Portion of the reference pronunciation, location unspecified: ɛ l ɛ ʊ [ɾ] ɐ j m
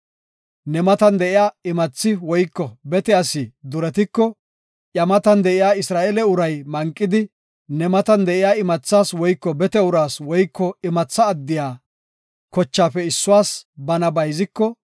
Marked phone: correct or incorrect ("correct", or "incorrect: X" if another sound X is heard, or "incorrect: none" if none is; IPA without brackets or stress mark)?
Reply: correct